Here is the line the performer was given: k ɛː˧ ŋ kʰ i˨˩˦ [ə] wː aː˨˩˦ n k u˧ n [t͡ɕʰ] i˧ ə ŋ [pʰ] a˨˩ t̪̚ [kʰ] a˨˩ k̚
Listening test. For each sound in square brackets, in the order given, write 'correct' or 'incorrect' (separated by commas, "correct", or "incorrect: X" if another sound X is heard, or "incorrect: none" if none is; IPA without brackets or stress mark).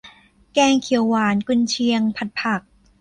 correct, correct, correct, incorrect: pʰ